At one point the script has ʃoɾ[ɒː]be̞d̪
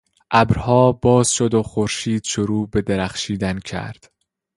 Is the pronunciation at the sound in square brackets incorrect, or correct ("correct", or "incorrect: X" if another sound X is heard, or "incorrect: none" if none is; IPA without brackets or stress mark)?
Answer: incorrect: uː